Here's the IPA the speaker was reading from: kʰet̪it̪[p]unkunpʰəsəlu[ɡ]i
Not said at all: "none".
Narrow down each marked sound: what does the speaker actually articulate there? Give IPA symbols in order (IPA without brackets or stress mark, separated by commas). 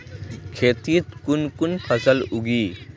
k, ɡ